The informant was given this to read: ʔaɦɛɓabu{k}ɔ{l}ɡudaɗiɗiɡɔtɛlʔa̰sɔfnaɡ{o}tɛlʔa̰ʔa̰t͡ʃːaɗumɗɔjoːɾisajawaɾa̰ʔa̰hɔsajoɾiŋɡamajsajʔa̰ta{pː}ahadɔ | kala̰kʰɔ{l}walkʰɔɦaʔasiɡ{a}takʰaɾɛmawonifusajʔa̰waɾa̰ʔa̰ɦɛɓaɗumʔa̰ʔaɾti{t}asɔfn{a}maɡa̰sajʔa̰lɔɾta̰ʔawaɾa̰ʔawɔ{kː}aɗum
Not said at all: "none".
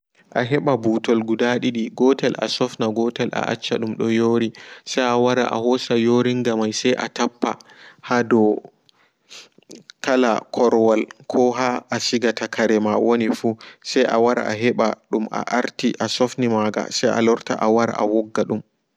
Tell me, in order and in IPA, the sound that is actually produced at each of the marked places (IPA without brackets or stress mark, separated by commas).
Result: t, l, ɔ, pː, ɾ, a, ʔ, i, ɡː